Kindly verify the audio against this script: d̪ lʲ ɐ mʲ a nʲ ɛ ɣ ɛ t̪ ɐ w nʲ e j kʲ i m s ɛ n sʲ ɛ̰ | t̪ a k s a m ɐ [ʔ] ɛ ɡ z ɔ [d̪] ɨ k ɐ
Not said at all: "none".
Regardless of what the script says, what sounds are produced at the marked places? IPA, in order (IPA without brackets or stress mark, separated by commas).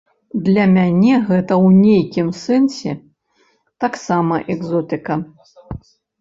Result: ʔ, t̪